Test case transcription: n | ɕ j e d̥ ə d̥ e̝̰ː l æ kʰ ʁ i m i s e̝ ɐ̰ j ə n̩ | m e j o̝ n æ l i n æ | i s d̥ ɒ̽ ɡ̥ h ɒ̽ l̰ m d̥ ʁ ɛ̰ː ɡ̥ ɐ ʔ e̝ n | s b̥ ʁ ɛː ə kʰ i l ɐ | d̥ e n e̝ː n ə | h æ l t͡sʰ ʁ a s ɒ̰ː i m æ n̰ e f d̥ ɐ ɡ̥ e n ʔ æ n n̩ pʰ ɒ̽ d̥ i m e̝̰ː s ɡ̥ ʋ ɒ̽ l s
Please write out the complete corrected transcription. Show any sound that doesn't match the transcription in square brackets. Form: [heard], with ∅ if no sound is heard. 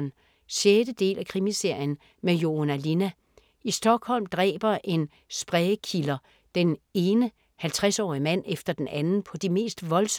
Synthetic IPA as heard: n | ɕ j e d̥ ə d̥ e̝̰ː l æ kʰ ʁ i m i s e̝ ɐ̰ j ə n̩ | m e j o̝ n æ l i n æ | i s d̥ ɒ̽ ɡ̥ h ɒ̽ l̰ m d̥ ʁ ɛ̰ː [b̥] ɐ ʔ e̝ n | s b̥ ʁ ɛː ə kʰ i l ɐ | d̥ e n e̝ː n ə | h æ l t͡sʰ ʁ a s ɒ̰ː i m æ n̰ e f d̥ ɐ [d̥] e n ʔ æ n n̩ pʰ ɒ̽ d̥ i m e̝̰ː s [d̥] ʋ ɒ̽ l s